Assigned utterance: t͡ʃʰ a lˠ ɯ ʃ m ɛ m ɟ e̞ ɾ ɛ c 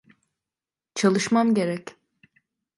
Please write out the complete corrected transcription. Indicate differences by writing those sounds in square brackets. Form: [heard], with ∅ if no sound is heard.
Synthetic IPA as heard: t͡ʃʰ a lˠ ɯ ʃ m [a] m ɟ e̞ ɾ ɛ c